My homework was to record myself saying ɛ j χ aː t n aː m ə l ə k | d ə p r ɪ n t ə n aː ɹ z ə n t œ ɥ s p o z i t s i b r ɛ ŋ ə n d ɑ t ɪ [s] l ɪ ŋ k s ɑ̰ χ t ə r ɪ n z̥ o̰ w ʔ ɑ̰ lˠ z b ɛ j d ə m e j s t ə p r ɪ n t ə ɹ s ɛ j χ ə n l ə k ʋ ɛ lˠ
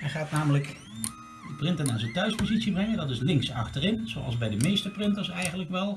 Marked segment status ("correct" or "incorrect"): correct